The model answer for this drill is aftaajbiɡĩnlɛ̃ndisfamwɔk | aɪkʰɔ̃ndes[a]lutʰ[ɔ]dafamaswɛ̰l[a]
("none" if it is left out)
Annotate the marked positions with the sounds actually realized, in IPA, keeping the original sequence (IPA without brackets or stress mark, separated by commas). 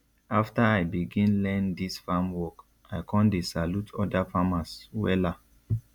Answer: a, ɔ, a